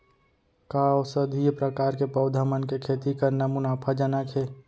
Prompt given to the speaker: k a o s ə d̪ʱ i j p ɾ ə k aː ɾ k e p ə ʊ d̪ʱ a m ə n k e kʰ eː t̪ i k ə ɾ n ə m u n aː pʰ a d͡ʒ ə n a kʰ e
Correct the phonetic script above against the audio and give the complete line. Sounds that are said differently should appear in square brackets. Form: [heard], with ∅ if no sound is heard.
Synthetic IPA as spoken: k a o s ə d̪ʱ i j p ɾ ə k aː ɾ k e p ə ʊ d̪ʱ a m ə n k e kʰ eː t̪ i k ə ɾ n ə m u n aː pʰ a d͡ʒ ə n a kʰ e